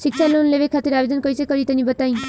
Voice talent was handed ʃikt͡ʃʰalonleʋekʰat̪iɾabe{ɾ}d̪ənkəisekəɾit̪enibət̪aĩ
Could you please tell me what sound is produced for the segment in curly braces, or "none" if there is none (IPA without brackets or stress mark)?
none